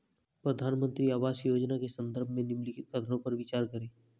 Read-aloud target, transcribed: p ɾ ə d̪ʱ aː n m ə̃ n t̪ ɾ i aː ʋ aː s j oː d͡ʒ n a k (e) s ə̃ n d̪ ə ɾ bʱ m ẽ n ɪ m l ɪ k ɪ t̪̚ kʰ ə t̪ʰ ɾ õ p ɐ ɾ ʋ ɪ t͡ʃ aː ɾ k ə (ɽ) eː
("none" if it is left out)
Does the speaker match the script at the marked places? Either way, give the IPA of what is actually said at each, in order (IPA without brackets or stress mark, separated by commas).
e, ɾ